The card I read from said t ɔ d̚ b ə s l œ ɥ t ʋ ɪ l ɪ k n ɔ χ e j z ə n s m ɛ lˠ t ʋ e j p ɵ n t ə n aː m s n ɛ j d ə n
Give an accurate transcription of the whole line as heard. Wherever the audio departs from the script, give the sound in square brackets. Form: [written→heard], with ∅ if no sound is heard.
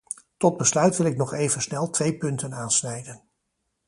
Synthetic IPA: t ɔ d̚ b ə s l œ ɥ t ʋ ɪ l ɪ k n ɔ χ e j [z→v] ə n s [m→n] ɛ lˠ t ʋ e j p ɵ n t ə n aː [m→n] s n ɛ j d ə n